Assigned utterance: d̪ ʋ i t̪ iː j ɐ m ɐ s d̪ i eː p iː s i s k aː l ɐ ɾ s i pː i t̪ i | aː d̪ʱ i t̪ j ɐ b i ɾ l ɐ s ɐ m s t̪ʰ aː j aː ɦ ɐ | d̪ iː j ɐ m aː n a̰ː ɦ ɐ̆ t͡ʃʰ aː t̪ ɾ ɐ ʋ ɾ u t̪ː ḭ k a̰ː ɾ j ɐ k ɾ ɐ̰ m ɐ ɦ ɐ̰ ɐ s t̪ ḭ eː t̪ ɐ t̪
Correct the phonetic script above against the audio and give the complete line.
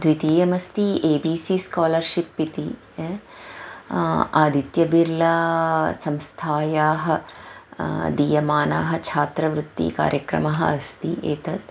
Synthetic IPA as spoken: d̪ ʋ i t̪ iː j ɐ m ɐ s t̪ i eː b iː s i s k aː l ɐ ɾ ʃ i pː i t̪ i | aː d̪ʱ i t̪ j ɐ b i ɾ l ɐ s ɐ m s t̪ʰ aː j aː ɦ ɐ | d̪ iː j ɐ m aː n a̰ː ɦ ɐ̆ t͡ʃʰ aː t̪ ɾ ɐ ʋ ɾ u t̪ː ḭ k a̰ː ɾ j ɐ k ɾ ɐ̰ m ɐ ɦ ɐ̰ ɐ s t̪ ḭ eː t̪ ɐ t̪